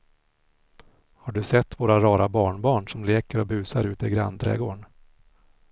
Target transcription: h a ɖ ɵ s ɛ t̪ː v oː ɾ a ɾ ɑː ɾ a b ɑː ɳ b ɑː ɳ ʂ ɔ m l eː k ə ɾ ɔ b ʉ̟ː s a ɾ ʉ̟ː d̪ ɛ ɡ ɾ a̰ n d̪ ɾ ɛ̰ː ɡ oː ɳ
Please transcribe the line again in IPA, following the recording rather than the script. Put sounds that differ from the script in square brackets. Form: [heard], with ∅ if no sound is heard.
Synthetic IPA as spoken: h a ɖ ɵ s ɛ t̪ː v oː ɾ a ɾ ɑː ɾ a b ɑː ɳ b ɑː ɳ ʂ ɔ m l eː k ə ɾ ɔ b ʉ̟ː s a ɾ ʉ̟ː [t̪] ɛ ɡ ɾ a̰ n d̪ ɾ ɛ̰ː ɡ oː ɳ